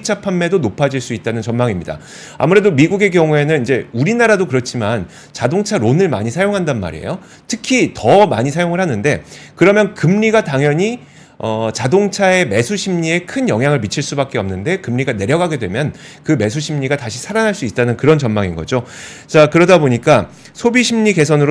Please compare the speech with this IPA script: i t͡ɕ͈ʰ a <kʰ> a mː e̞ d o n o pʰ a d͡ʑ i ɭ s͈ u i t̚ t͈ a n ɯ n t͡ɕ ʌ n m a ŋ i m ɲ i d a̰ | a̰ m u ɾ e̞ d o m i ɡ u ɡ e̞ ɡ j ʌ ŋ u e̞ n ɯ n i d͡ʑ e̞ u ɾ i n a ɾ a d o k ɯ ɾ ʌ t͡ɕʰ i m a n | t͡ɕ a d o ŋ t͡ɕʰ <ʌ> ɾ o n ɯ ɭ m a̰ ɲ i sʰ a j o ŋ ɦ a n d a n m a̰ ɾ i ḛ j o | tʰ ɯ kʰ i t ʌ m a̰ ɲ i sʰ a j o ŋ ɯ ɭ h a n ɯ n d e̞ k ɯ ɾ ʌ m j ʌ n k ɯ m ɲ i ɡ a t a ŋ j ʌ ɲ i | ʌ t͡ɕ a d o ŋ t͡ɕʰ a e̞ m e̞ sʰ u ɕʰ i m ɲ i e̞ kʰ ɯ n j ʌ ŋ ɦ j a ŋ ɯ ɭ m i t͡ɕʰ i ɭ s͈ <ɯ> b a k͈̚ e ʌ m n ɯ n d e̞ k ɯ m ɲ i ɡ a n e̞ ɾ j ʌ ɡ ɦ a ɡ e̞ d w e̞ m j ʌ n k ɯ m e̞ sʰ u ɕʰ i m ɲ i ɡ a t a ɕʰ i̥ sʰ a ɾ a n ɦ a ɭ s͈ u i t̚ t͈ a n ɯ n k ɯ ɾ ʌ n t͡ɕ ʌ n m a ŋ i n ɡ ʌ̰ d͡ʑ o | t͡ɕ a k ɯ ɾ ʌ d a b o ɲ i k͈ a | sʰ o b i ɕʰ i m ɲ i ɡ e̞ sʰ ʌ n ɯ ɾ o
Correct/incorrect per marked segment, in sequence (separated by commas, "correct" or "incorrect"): incorrect, incorrect, incorrect